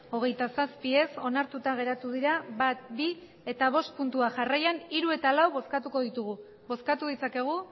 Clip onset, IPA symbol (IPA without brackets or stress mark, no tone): o̞